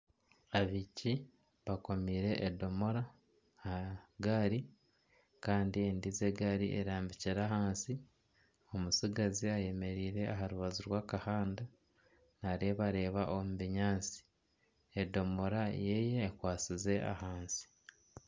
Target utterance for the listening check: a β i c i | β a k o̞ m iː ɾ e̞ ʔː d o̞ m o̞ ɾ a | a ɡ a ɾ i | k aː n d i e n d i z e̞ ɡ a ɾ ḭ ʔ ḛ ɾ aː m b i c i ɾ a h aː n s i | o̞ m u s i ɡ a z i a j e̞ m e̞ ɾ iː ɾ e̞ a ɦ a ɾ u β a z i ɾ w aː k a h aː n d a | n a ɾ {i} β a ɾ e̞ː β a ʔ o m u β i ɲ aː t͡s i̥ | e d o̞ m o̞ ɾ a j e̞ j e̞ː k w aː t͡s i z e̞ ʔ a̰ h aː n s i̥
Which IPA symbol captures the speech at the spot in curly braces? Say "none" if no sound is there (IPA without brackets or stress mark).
e